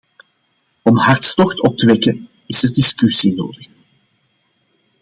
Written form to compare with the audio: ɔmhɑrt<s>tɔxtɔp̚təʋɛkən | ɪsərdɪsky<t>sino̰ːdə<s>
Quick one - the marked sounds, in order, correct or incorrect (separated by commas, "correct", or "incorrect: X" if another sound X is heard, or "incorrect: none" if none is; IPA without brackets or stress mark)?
correct, incorrect: none, incorrect: x